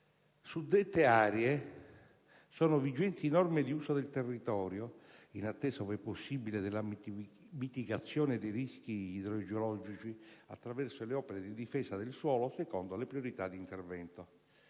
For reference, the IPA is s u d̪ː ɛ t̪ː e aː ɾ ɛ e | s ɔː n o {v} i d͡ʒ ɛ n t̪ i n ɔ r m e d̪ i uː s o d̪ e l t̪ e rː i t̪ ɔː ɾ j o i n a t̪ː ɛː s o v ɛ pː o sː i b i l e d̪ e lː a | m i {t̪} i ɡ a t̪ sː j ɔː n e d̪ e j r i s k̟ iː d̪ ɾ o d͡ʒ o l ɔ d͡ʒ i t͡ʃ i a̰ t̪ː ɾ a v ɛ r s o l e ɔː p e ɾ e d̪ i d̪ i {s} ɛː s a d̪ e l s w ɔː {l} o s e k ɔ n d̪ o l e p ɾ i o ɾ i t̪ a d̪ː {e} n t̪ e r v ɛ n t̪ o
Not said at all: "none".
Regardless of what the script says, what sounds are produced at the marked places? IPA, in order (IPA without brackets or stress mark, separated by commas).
v, t̪, f, l, i